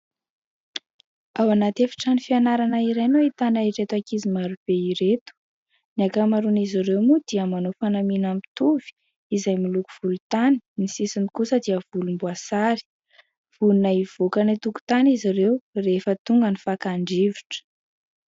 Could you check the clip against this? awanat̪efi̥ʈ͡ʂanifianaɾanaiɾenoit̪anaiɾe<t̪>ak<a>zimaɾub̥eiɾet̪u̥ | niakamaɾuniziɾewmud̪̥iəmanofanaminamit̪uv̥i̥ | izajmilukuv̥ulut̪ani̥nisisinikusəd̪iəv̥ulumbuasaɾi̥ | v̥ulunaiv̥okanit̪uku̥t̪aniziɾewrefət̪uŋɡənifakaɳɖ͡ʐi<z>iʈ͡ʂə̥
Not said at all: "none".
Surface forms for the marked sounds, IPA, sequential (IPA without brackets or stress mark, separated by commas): t̪, i, v